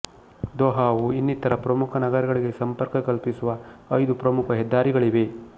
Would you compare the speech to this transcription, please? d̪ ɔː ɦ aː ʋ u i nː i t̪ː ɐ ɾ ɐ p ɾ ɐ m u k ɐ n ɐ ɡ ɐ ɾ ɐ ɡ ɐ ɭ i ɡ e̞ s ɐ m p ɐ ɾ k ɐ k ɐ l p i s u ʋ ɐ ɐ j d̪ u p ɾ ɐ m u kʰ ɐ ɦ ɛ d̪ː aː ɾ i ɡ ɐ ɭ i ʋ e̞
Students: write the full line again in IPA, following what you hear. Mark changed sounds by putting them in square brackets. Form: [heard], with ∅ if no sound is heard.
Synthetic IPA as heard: d̪ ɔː ɦ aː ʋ u i nː i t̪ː ɐ ɾ ɐ p ɾ ɐ m u [kʰ] ɐ n ɐ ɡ ɐ ɾ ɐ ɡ ɐ ɭ i ɡ e̞ s ɐ m p ɐ ɾ k ɐ k ɐ l p i s u ʋ ɐ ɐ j d̪ u p ɾ ɐ m u kʰ ɐ ɦ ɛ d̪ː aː ɾ i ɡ ɐ ɭ i ʋ e̞